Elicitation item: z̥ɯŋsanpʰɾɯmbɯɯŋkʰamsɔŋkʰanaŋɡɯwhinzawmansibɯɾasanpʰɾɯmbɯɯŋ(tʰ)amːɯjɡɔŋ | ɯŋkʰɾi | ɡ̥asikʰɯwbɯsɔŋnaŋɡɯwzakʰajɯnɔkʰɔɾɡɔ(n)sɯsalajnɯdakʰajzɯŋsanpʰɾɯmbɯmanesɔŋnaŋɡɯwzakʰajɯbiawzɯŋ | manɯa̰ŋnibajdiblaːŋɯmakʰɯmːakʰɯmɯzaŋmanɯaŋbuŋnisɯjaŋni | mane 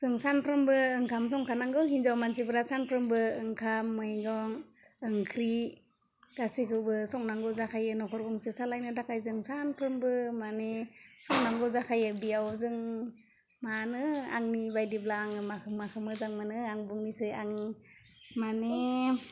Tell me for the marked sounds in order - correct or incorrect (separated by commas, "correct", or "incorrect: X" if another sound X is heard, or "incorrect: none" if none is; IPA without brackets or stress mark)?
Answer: incorrect: kʰ, incorrect: ŋ